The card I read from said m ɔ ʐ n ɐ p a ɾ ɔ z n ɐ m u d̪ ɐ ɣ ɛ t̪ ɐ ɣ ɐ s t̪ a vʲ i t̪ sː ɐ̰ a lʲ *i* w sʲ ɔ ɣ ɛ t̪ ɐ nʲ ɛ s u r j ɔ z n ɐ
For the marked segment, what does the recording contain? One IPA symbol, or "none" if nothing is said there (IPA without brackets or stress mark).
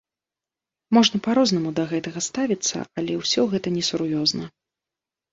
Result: ɛ